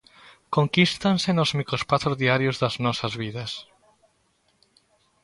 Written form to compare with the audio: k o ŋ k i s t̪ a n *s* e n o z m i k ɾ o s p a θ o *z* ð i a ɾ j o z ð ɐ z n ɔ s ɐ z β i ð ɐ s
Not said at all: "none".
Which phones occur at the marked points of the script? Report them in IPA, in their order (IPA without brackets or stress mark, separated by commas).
s, z